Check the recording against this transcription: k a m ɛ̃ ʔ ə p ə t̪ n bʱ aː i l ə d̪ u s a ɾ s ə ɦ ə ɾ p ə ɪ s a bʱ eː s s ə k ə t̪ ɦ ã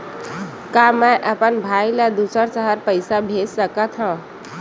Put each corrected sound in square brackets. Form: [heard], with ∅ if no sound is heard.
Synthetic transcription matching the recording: k a m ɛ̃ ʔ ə p ə [∅] n bʱ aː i l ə d̪ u s [ə] ɾ s ə ɦ ə ɾ p ə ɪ s a bʱ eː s s ə k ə t̪ ɦ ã